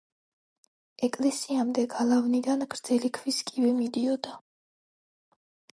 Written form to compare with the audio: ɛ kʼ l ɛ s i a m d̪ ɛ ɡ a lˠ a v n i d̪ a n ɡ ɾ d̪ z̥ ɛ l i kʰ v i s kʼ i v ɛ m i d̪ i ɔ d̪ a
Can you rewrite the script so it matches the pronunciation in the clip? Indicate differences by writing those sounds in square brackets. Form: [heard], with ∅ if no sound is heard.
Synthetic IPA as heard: ɛ kʼ l ɛ s i a m d̪ ɛ ɡ a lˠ a v n i d̪ a n ɡ ɾ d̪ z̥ ɛ l i kʰ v i s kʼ i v ɛ m i d̪ i ɔ d̪ a